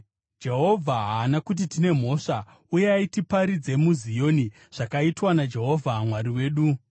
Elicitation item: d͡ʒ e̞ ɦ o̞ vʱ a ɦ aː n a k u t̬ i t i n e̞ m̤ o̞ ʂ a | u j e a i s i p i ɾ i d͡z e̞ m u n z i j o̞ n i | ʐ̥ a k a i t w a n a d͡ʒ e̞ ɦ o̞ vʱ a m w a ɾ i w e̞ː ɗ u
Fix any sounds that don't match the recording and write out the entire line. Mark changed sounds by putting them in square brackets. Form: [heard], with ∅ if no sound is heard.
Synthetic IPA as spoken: d͡ʒ e̞ ɦ o̞ vʱ a ɦ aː n a k u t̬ i t i n e̞ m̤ o̞ ʂ a | u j e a i [t] i p [a] ɾ i d͡z e̞ m u [∅] z i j o̞ n i | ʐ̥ a k a i t w a n a d͡ʒ e̞ ɦ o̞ vʱ a m w a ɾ i w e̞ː ɗ u